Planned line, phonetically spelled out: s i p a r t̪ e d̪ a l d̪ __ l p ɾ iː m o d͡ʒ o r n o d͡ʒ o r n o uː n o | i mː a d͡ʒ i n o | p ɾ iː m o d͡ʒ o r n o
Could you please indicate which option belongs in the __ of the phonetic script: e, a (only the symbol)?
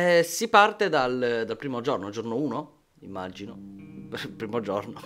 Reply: a